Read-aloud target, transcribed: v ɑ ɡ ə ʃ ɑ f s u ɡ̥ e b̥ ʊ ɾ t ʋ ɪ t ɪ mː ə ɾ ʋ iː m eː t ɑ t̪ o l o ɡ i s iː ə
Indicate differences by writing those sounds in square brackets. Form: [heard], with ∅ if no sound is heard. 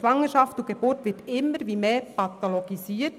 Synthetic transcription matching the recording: [ʋ] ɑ [ŋ] ə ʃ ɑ f [t] u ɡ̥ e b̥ ʊ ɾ t ʋ ɪ t ɪ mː ə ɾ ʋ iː m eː [p] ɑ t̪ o l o ɡ i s iː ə